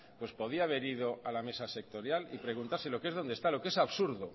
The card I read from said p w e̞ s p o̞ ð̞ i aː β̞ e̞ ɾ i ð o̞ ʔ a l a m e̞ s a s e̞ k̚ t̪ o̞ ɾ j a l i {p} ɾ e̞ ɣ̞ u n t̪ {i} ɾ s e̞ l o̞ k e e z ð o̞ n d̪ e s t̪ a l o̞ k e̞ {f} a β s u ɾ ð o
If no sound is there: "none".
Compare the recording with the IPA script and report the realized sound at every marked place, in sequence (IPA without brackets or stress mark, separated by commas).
p, a, s